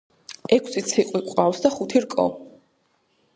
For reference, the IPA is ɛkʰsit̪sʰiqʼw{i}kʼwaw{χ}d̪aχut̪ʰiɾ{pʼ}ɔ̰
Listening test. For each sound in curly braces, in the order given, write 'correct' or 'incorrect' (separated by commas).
correct, incorrect, incorrect